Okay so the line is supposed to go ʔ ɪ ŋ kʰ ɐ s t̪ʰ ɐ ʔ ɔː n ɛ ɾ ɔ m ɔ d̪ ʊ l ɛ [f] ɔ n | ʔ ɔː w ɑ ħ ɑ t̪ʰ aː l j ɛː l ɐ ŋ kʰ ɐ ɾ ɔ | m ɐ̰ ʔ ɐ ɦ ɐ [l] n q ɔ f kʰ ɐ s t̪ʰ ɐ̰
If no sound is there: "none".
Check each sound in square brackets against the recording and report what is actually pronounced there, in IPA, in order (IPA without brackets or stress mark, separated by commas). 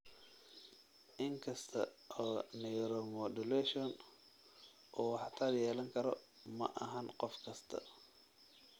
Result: ʃ, none